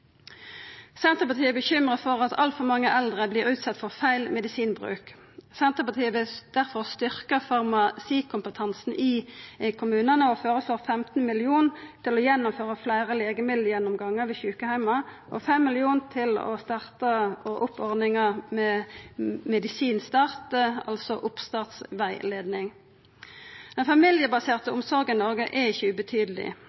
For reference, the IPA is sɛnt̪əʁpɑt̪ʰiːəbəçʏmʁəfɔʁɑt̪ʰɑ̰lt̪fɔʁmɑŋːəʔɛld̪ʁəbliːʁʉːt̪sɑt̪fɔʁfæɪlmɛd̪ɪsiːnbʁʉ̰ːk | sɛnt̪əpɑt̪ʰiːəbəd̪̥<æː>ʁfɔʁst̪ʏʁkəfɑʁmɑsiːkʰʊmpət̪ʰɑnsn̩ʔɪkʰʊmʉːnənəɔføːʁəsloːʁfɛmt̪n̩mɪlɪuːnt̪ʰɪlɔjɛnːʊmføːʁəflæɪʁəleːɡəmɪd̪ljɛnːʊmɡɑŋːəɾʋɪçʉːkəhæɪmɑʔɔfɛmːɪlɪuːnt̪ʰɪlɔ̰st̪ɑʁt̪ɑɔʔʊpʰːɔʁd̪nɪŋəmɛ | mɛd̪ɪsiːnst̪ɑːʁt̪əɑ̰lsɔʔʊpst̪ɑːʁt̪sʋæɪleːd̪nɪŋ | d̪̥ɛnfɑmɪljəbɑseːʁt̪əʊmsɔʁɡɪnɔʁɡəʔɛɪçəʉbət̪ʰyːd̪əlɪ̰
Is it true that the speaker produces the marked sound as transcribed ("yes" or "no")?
no